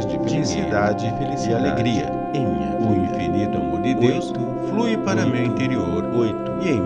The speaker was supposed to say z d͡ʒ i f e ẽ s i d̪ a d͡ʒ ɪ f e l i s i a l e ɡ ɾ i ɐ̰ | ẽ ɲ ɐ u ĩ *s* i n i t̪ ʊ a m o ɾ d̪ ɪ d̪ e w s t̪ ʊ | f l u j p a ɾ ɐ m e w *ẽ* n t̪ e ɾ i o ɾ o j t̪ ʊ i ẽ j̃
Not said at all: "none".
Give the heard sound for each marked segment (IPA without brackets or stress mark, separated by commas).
f, ĩ